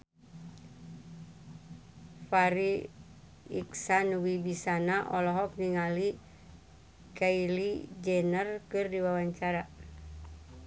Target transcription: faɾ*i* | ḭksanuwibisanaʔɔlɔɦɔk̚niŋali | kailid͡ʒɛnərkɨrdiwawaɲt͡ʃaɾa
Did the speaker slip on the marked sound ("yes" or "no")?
no